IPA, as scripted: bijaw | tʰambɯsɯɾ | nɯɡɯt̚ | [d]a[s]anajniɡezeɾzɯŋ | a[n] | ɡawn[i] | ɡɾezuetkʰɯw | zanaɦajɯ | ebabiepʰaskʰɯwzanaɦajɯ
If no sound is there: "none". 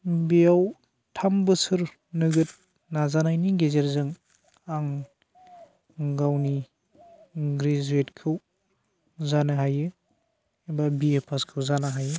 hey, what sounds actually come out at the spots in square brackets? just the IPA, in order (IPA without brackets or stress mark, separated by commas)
n, z, ŋ, i